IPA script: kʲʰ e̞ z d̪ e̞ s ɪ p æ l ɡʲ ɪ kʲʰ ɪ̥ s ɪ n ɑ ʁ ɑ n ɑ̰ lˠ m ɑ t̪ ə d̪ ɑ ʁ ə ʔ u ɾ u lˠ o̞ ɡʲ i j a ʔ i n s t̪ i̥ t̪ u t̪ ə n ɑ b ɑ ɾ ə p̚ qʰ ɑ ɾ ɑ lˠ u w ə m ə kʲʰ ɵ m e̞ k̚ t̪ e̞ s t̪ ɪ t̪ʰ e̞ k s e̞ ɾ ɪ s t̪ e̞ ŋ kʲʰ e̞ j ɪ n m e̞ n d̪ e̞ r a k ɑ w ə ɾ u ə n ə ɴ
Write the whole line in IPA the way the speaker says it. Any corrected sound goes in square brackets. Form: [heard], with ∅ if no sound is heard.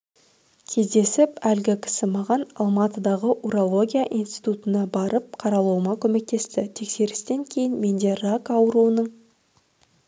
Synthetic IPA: kʲʰ e̞ z d̪ e̞ s ɪ p æ l ɡʲ ɪ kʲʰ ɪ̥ s ɪ [m] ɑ ʁ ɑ n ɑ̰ lˠ m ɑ t̪ ə d̪ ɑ ʁ ə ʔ u ɾ [o] lˠ o̞ ɡʲ i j a ʔ i n s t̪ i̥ t̪ u t̪ ə n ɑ b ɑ ɾ ə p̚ qʰ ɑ ɾ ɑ lˠ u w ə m [ɑ] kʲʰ ɵ m e̞ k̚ t̪ e̞ s t̪ ɪ t̪ʰ e̞ k s e̞ ɾ ɪ s t̪ e̞ ŋ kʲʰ e̞ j ɪ n m e̞ n d̪ e̞ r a k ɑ w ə ɾ u ə n ə ɴ